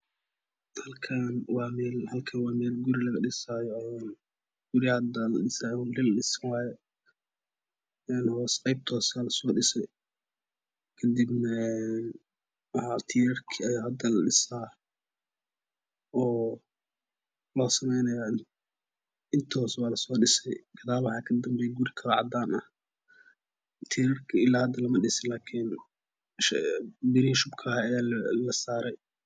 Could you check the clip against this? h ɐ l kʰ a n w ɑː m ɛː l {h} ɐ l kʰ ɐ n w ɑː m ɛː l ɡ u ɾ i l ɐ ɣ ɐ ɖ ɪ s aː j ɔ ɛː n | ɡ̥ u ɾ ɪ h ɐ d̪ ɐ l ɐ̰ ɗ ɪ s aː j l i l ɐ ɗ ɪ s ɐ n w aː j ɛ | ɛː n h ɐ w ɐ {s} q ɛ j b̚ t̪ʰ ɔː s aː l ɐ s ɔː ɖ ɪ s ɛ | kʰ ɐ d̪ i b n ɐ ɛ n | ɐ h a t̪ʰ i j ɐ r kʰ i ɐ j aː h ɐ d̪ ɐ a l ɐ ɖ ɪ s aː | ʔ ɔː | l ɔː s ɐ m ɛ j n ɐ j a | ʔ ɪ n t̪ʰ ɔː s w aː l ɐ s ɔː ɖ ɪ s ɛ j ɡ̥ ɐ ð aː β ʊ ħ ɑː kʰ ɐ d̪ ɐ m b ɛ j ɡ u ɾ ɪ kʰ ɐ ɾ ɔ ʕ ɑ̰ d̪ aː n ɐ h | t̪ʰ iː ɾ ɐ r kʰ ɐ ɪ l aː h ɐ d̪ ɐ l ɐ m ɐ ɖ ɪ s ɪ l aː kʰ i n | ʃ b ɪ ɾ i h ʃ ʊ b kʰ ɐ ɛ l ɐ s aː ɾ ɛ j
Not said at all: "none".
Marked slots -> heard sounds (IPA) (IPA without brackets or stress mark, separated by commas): h, s